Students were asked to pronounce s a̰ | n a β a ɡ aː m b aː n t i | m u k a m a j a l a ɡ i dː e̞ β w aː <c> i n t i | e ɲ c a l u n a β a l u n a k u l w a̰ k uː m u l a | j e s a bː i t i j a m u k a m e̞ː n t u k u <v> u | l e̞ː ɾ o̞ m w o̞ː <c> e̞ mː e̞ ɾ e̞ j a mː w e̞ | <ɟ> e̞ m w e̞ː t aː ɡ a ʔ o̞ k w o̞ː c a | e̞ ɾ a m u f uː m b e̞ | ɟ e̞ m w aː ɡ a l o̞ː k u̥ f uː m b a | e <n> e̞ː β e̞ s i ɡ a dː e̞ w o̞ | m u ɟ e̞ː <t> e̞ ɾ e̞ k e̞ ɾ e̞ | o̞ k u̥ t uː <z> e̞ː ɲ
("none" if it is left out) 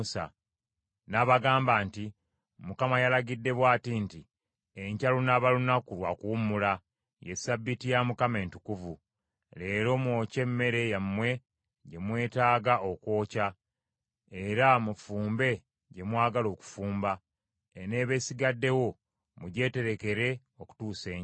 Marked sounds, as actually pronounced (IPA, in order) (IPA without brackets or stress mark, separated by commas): t, v, c, ɟ, n, t, s